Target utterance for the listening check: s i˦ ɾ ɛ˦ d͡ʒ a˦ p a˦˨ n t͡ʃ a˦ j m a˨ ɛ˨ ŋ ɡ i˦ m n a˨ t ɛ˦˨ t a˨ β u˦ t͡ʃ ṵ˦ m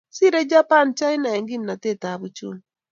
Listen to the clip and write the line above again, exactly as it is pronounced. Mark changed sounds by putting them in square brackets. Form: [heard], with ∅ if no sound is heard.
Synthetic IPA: s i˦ ɾ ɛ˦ d͡ʒ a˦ p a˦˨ n t͡ʃ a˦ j [n] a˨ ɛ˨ ŋ ɡ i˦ m n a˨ t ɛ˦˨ t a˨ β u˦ t͡ʃ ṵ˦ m